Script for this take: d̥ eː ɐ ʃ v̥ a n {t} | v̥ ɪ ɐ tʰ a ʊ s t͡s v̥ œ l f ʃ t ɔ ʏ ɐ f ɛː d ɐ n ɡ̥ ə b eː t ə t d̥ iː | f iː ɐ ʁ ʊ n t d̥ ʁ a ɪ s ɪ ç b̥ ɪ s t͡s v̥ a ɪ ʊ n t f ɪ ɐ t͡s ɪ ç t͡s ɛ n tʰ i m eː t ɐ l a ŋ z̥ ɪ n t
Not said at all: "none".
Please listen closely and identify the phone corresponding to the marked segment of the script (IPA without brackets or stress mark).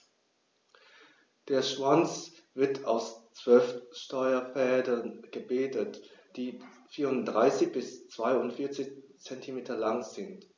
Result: t͡s